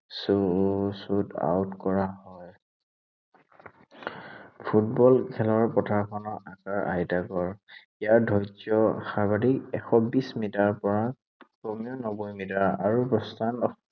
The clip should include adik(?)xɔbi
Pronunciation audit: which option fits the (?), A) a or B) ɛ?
B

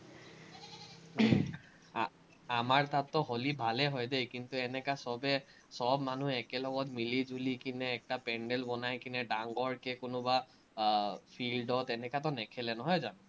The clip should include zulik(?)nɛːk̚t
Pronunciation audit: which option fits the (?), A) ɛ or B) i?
B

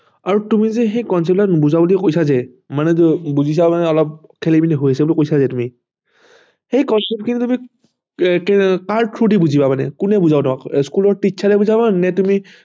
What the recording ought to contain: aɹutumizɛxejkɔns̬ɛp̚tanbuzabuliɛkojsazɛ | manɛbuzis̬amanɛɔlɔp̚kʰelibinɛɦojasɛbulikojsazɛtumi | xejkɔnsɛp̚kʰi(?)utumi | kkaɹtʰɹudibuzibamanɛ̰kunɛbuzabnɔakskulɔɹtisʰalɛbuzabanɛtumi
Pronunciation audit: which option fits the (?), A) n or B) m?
A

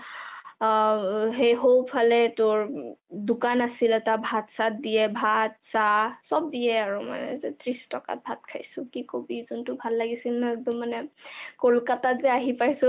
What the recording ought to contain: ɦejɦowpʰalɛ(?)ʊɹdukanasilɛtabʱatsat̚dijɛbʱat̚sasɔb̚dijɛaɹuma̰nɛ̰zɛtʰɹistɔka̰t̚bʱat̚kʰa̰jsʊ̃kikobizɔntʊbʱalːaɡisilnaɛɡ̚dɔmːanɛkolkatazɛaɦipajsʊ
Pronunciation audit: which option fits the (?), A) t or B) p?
A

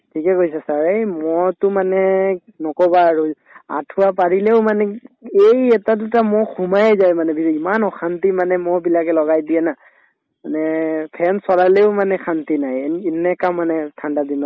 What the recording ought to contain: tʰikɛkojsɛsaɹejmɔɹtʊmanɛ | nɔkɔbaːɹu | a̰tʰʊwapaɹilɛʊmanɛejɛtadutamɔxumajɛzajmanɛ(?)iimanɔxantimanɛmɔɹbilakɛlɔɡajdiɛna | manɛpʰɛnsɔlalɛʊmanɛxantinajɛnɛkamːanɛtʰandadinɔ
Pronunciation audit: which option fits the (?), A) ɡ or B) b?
B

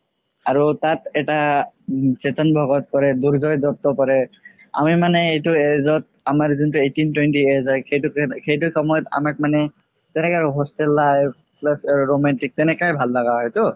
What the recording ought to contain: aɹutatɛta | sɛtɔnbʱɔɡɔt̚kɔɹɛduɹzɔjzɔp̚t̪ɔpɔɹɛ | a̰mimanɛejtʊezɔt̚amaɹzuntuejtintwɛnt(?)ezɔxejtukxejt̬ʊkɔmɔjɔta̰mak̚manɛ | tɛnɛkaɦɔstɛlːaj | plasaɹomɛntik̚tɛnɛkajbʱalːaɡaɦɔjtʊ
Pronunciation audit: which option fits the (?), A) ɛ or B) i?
B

